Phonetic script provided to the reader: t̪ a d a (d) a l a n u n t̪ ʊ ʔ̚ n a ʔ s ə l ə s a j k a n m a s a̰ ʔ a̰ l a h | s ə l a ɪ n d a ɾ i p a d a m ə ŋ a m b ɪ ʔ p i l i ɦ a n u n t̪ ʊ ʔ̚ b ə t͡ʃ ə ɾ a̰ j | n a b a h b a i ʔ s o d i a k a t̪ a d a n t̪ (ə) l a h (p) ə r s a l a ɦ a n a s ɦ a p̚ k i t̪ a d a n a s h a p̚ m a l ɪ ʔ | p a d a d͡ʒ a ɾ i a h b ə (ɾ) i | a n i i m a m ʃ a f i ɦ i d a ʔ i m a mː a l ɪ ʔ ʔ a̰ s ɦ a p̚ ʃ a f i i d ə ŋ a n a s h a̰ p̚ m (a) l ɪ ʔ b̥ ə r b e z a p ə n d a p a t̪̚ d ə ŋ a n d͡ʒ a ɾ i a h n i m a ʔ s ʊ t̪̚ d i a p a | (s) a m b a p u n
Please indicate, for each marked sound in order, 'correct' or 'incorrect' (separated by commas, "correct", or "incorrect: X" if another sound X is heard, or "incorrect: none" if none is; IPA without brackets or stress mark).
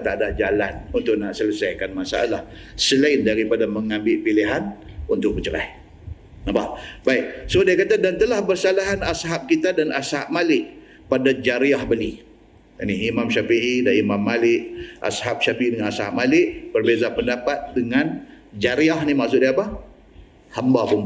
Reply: incorrect: d͡ʒ, correct, incorrect: b, incorrect: l, correct, incorrect: h